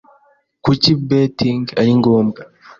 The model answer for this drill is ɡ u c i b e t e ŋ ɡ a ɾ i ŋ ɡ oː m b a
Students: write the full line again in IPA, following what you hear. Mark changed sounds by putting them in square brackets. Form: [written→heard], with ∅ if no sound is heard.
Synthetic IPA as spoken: [ɡ→k] u c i b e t [e→i] ŋ ɡ a ɾ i ŋ ɡ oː m [b→ɡ] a